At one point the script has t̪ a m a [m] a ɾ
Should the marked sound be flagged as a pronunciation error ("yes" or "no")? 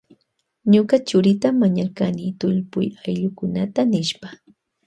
yes